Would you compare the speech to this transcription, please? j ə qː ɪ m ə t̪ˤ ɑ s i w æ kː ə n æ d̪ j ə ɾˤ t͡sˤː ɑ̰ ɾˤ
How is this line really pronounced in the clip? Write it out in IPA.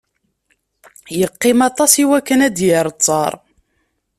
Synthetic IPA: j ə qː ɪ m ɑ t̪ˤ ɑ s i w æ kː ə n æ d̪ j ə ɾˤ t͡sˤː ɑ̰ ɾˤ